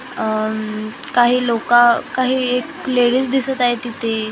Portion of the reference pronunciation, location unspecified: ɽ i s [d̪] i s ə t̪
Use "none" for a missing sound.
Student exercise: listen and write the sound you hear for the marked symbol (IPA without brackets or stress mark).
d̪